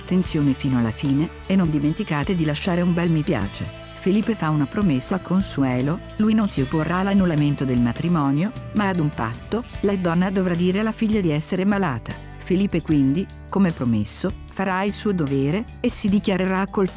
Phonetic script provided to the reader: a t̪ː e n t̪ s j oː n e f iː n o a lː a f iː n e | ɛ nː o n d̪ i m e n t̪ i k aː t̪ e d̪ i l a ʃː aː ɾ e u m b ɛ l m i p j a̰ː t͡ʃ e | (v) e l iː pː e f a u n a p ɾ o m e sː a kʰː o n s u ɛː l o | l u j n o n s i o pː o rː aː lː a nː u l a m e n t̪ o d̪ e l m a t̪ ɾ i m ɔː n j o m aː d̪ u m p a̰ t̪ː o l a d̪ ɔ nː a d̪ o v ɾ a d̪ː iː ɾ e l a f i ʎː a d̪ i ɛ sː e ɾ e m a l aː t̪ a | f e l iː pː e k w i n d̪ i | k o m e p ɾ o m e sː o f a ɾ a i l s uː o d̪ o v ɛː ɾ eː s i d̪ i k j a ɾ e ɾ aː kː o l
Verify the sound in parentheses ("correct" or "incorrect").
incorrect